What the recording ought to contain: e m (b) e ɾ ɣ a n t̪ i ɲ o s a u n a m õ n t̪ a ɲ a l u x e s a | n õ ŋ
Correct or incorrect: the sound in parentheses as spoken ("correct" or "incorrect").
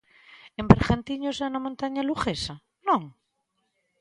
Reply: correct